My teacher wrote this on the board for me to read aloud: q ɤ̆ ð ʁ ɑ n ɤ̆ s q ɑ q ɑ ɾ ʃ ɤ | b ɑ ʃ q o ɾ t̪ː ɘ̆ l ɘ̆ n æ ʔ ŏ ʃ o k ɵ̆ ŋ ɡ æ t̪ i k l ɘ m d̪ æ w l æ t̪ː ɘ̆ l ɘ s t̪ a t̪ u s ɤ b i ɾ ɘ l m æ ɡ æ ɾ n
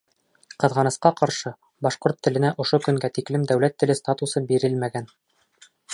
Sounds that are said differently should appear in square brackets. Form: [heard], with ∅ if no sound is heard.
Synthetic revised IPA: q ɤ̆ ð ʁ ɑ n ɤ̆ s q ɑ q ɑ ɾ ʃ ɤ | b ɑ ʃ q o ɾ t̪ː ɘ̆ l ɘ̆ n æ ʔ ŏ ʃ o k ɵ̆ ŋ ɡ æ t̪ i k l ɘ m d̪ æ w l æ t̪ː ɘ̆ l ɘ s t̪ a t̪ u s ɤ b i ɾ ɘ l m æ ɡ æ [∅] n